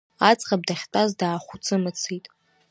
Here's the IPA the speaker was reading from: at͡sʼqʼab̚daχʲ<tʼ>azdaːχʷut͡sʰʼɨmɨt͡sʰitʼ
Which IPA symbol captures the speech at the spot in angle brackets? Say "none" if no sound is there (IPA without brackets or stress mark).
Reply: tʼ